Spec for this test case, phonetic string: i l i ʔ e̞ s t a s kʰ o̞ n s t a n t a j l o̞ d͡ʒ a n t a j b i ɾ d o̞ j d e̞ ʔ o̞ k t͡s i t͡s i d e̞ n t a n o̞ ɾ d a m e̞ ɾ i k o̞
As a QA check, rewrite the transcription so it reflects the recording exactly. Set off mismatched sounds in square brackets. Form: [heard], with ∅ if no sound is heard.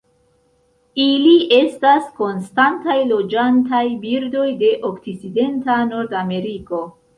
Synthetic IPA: i l i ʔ e̞ s t a s [k] o̞ n s t a n t a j l o̞ d͡ʒ a n t a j b i ɾ d o̞ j d e̞ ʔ o̞ k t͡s i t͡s i d e̞ n t a n o̞ ɾ d a m e̞ ɾ i k o̞

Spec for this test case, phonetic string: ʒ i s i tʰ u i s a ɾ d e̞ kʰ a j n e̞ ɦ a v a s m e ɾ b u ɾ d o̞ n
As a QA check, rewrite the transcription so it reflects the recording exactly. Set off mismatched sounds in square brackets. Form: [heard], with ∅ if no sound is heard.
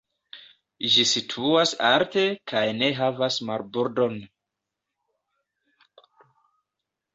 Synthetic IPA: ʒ i s i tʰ u [a] s a ɾ [t] e̞ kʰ a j n e̞ ɦ a v a s m [a] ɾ b u ɾ d o̞ n

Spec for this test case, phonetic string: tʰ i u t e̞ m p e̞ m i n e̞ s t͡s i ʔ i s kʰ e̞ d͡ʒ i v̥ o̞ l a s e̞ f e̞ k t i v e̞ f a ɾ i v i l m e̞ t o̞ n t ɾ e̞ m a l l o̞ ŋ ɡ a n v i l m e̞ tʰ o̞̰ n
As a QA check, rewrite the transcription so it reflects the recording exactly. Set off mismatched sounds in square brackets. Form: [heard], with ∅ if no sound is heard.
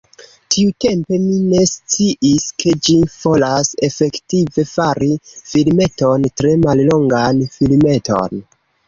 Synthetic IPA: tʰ i u t e̞ m p e̞ m i n e̞ s t͡s i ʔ i s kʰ e̞ d͡ʒ i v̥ o̞ l a s e̞ f e̞ k t i v e̞ f a ɾ i [f] i l m e̞ t o̞ n t ɾ e̞ m a l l o̞ ŋ ɡ a n [f] i l m e̞ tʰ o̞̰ n

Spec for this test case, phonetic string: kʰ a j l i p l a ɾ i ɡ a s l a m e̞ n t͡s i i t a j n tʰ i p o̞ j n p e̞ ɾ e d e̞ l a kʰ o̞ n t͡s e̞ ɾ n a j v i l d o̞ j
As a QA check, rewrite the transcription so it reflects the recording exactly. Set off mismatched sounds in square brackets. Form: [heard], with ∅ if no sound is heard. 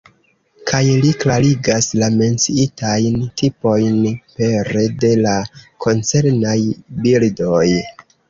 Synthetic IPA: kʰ a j l i [k] l a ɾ i ɡ a s l a m e̞ n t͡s i i t a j n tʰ i p o̞ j n p e̞ ɾ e d e̞ l a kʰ o̞ n t͡s e̞ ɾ n a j [b] i l d o̞ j

